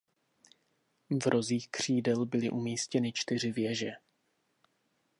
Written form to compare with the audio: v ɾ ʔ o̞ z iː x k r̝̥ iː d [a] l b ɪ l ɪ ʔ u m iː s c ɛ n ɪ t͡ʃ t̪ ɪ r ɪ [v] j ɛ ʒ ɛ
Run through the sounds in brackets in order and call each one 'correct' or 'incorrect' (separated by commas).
incorrect, correct